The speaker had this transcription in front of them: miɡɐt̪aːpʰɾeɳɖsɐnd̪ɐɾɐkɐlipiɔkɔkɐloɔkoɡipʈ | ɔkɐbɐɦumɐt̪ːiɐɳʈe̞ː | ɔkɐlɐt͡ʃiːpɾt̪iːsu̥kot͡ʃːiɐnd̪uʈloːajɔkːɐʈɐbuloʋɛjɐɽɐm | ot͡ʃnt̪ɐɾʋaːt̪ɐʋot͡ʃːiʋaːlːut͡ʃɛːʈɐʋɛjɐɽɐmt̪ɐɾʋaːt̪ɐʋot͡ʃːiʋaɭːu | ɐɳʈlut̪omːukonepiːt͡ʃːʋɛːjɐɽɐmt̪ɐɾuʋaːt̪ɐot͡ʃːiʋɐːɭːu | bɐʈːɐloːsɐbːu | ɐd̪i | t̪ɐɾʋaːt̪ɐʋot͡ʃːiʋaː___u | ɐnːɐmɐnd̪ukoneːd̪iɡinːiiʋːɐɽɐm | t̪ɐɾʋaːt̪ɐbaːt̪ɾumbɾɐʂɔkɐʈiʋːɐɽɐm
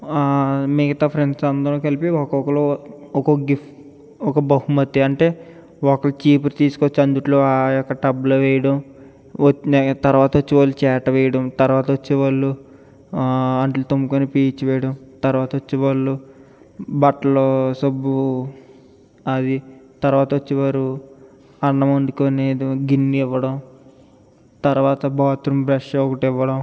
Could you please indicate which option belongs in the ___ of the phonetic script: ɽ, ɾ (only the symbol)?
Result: ɾ